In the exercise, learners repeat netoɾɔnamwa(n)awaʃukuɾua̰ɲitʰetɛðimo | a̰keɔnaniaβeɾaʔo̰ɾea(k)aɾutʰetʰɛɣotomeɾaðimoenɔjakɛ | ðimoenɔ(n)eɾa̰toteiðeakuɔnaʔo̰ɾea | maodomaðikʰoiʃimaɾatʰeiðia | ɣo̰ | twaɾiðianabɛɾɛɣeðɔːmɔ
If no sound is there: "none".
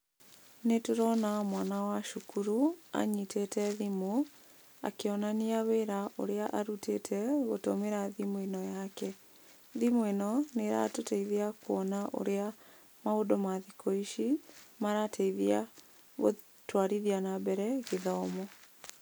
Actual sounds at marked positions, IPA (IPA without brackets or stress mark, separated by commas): n, ʔ, n